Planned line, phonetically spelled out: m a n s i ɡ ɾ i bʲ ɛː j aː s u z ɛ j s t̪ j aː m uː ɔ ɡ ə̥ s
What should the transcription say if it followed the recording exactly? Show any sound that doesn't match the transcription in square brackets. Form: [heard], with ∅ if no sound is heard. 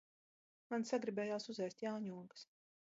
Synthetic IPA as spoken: m a n s [a] ɡ ɾ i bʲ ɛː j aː s u z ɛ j s t̪ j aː [ɲ] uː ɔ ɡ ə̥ s